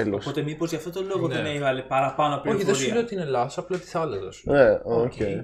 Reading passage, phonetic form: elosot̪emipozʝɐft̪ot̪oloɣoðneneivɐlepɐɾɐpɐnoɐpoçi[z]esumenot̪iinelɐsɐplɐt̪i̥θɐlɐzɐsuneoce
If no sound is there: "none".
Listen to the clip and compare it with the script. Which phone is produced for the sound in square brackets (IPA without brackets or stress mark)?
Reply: ð